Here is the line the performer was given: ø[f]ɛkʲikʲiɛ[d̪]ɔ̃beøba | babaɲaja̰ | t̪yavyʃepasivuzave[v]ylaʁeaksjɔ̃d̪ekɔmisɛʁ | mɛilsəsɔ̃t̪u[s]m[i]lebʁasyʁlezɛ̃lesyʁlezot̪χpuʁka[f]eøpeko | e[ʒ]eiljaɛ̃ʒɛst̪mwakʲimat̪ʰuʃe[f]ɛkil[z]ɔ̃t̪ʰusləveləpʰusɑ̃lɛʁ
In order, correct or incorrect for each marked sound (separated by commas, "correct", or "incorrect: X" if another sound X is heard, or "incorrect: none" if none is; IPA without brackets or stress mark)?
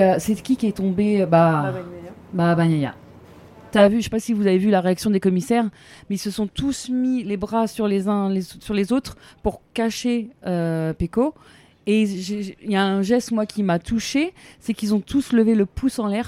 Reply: incorrect: s, incorrect: t̪, correct, correct, correct, incorrect: ʃ, correct, incorrect: s, correct